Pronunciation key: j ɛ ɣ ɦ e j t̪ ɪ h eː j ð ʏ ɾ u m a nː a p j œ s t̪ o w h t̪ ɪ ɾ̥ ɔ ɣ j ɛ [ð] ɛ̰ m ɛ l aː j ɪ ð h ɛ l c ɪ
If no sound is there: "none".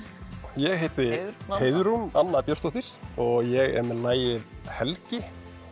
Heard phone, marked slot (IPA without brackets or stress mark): ɣ